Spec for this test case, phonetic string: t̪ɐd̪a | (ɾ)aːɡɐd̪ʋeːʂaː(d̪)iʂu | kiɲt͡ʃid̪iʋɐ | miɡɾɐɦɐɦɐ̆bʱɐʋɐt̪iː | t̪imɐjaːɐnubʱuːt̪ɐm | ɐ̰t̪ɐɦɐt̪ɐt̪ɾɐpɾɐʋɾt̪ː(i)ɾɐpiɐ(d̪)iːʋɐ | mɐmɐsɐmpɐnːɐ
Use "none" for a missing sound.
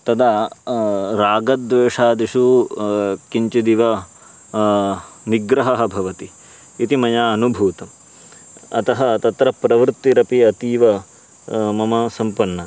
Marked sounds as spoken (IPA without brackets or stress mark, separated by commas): ɾ, d̪, i, t̪